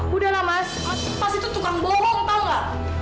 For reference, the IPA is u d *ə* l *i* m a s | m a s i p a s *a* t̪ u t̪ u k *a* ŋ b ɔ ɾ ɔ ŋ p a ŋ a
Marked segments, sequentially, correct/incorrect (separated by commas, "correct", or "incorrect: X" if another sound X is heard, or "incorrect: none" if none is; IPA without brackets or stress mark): incorrect: a, incorrect: a, incorrect: i, correct